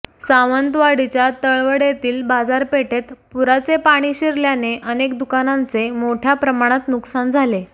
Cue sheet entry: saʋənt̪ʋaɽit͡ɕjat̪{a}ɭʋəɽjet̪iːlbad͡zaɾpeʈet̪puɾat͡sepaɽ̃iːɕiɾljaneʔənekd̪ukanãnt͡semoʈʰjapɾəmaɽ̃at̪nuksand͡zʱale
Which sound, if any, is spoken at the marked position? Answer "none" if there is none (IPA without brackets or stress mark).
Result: ə